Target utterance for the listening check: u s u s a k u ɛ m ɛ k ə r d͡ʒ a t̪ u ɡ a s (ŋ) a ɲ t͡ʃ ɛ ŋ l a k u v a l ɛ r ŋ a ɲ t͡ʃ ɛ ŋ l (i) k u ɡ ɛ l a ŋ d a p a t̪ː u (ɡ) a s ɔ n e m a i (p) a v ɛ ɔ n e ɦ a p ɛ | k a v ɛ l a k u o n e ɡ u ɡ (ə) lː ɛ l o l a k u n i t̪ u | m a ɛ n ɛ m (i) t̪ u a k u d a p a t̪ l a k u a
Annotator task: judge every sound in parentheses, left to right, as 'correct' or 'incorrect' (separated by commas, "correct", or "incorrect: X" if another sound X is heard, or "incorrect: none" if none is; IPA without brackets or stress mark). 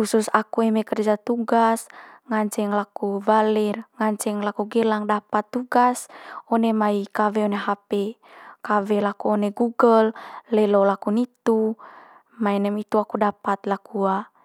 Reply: correct, incorrect: a, correct, incorrect: k, correct, correct